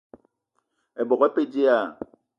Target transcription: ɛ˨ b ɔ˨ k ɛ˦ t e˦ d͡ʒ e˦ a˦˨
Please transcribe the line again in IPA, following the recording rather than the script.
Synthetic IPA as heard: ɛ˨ b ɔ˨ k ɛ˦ p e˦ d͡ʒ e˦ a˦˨